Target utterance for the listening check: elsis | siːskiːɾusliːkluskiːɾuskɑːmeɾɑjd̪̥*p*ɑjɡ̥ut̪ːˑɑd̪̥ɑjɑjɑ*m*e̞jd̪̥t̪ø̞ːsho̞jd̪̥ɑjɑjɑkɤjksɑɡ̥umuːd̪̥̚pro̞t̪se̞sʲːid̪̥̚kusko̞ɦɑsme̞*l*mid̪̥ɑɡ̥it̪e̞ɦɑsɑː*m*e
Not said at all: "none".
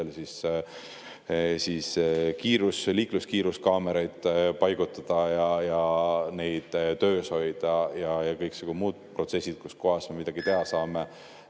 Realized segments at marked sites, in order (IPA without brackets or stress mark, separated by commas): p, n, none, m